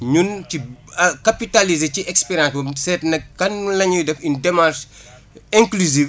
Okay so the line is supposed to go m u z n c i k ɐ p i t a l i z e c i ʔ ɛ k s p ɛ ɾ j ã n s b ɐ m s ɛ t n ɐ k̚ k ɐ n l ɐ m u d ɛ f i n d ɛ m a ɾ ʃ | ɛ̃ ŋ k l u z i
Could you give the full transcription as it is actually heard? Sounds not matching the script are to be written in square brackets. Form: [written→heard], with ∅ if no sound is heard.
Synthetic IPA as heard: [m→ɲ] u [z→∅] n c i k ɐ p i t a l i z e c i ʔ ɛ k s p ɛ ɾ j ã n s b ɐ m s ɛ t n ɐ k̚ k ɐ n l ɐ [m→ɲ] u d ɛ f i n d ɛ m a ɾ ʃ | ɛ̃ ŋ k l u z i